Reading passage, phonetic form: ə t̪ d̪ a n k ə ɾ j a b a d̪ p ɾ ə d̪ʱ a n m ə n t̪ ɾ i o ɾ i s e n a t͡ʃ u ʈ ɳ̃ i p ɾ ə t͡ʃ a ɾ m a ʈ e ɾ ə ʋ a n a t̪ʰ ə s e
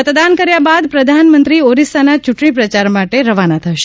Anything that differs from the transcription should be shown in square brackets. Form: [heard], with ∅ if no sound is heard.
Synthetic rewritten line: ə t̪ d̪ a n k ə ɾ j a b a d̪ p ɾ ə d̪ʱ a n m ə n t̪ ɾ i o ɾ i s [a] n a t͡ʃ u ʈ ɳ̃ i p ɾ ə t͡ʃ a ɾ m a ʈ e ɾ ə ʋ a n a t̪ʰ ə [ʃ] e